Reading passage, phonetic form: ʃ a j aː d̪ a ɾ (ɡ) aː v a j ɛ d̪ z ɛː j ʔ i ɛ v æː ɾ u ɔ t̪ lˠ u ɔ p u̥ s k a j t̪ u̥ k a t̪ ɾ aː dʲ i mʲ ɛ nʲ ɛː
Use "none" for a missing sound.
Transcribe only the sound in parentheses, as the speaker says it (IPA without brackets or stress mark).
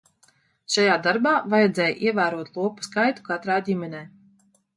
b